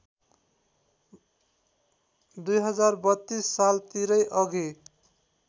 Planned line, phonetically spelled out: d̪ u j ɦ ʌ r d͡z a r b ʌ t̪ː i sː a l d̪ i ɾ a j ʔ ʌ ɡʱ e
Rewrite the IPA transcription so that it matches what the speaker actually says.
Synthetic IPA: d̪ u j ɦ ʌ d͡z a r b ʌ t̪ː i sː a l t̪ i ɾ ʌ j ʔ ʌ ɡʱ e